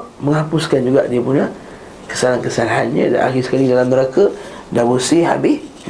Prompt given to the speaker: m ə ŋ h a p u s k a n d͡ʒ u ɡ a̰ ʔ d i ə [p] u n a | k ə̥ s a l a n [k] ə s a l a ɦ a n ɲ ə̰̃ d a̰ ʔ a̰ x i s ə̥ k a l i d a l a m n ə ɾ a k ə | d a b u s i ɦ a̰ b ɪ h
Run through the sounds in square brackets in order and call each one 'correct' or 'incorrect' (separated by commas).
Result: correct, correct